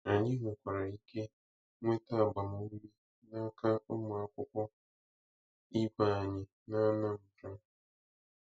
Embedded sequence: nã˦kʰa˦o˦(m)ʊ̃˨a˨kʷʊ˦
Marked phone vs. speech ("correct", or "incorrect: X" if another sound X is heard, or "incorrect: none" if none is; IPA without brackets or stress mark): correct